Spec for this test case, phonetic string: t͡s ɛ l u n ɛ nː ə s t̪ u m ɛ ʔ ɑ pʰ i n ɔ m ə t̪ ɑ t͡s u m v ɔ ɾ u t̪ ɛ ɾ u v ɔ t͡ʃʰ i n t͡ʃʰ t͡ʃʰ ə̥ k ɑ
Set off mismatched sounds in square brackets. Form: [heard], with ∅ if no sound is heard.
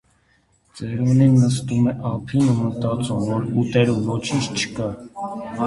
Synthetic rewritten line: t͡s ɛ [ɾ] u n [i] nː ə s t̪ u m ɛ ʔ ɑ pʰ i n [u] m ə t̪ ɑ t͡s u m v ɔ ɾ u t̪ ɛ ɾ u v ɔ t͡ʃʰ i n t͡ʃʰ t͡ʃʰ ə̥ k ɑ